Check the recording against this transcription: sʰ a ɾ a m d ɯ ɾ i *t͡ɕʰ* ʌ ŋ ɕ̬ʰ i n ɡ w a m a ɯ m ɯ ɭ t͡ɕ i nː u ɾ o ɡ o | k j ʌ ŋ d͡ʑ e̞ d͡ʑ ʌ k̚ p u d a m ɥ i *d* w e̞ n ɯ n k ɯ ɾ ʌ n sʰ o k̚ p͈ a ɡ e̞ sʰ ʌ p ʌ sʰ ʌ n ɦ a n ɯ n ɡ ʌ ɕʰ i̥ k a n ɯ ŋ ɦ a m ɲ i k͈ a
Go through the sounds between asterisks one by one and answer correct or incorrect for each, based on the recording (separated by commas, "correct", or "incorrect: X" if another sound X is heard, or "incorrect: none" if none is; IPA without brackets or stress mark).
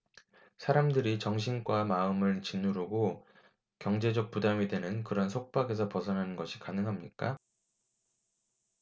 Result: incorrect: t͡ɕ, correct